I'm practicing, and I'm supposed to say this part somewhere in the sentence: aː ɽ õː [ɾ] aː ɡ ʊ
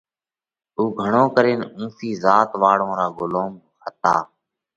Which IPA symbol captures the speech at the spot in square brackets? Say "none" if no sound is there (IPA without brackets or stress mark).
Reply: ɾ